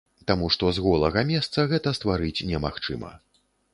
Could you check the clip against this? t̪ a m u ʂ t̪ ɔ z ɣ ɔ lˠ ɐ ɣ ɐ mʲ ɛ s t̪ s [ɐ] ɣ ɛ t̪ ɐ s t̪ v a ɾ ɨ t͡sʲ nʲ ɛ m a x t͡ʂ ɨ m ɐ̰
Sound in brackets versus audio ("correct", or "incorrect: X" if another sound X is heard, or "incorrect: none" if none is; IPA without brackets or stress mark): correct